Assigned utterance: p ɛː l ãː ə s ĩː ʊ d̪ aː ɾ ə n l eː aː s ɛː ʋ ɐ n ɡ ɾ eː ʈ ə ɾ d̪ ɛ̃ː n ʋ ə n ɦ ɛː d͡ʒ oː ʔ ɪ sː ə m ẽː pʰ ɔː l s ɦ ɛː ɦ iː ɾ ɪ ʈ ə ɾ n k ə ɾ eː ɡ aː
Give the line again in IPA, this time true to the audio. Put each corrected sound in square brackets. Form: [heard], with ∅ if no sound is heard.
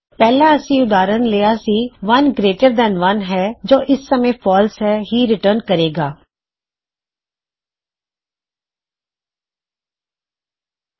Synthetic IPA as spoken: p ɛː l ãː ə s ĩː ʊ d̪ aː ɾ ə n l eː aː s [iː] ʋ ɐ n ɡ ɾ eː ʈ ə ɾ d̪ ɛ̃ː n ʋ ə n ɦ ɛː d͡ʒ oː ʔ ɪ sː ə m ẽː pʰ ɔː l s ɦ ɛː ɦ iː ɾ ɪ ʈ ə ɾ n k ə ɾ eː ɡ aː